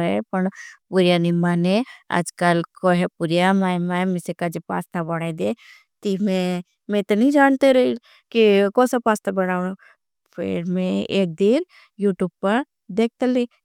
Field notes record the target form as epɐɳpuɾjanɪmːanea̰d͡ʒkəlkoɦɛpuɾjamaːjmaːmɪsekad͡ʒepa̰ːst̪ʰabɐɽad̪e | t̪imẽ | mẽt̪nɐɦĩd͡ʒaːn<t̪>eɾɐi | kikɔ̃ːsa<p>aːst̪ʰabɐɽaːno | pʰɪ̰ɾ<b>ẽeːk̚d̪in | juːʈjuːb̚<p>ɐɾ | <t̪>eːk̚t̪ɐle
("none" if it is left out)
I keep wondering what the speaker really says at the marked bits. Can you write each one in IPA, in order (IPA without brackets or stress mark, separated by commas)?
t̪, p, m, p, d̪